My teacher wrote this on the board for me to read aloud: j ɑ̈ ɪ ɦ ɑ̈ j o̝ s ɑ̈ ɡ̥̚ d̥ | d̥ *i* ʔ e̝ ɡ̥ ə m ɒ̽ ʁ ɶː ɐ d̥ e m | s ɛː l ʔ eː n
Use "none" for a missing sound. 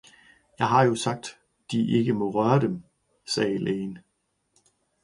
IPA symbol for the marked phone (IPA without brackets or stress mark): i